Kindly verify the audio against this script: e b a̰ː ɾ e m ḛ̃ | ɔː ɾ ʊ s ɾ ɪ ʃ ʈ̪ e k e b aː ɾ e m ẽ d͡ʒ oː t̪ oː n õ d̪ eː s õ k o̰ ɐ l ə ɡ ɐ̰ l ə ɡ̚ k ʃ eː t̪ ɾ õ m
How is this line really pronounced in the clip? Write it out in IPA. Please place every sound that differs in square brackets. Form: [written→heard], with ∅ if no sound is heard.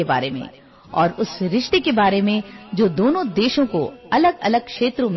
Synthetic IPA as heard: e b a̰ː ɾ e m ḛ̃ | ɔː ɾ ʊ s ɾ ɪ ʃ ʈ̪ e k e b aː ɾ e m ẽ d͡ʒ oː [t̪→d̪] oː n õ d̪ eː [s→ʃ] õ k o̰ ɐ l ə ɡ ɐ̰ l ə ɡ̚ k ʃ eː t̪ ɾ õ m